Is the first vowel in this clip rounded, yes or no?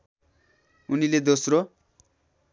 yes